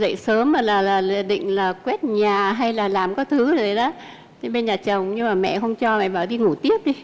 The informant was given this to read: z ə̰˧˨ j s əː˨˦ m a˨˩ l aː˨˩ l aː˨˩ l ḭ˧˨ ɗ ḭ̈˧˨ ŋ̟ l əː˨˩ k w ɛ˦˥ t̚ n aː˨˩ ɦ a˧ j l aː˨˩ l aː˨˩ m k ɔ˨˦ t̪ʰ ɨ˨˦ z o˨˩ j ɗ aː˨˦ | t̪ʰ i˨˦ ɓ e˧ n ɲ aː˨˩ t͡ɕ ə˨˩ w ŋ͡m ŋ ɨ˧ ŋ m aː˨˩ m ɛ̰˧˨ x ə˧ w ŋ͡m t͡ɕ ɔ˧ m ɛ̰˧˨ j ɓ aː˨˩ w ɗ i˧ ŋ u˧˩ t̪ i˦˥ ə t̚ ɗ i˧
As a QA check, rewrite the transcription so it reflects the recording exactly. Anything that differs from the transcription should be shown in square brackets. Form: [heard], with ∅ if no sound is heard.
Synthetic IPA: z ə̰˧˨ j s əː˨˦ m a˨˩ l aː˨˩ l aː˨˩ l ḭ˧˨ ɗ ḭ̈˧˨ ŋ̟ l [aː˨˩] k w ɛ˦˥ t̚ [ɲ] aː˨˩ ɦ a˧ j l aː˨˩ l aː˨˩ m k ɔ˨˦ t̪ʰ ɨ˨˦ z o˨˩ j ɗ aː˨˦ | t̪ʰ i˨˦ ɓ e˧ n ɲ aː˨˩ t͡ɕ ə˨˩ w ŋ͡m [ɲ] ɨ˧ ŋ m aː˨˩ m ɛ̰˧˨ x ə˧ w ŋ͡m t͡ɕ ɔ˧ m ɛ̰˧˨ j ɓ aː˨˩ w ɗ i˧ ŋ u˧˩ t̪ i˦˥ ə [p̚] ɗ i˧